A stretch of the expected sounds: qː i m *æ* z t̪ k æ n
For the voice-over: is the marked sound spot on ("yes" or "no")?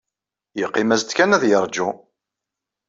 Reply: yes